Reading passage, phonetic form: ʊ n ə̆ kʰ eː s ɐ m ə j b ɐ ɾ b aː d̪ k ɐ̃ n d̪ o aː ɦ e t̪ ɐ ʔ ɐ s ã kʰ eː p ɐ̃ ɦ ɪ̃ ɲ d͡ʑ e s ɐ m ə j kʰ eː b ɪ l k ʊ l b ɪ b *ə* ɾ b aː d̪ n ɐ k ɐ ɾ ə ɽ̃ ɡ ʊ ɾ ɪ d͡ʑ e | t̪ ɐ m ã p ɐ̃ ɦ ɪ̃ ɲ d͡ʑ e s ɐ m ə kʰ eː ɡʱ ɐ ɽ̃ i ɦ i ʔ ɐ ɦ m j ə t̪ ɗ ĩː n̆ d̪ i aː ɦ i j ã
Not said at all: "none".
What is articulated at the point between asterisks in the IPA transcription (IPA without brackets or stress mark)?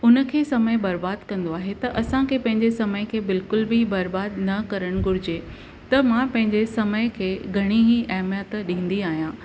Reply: ɐ